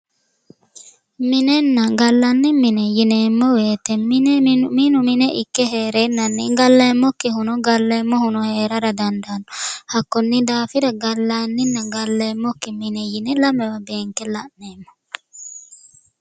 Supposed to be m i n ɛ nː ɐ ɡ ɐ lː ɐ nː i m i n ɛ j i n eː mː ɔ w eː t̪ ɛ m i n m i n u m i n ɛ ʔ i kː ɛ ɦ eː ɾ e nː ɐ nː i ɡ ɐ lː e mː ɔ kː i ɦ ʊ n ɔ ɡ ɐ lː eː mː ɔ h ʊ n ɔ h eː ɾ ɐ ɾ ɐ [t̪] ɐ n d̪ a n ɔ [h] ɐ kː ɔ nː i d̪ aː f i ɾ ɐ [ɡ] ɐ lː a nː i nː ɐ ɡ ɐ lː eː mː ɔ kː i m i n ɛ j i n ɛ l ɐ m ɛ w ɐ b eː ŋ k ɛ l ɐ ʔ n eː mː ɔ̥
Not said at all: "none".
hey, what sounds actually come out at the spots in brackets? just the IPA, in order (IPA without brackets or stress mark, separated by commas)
d̪, h, ɡ